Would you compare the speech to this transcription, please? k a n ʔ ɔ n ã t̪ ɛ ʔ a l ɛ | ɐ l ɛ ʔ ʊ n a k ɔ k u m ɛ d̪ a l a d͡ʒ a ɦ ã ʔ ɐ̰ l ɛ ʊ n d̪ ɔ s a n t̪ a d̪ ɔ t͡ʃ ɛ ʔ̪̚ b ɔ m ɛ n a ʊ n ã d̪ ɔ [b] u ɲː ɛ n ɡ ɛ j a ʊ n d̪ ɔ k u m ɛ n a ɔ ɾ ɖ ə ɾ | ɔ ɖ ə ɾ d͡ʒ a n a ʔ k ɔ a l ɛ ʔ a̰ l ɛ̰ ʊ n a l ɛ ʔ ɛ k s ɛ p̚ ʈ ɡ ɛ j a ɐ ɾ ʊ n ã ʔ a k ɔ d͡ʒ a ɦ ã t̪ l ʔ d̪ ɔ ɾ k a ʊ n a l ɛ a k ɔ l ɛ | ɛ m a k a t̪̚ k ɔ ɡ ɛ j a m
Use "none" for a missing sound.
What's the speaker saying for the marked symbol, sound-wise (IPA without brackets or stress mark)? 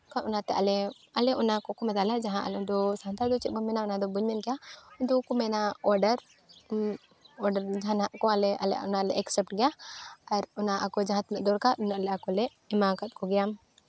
b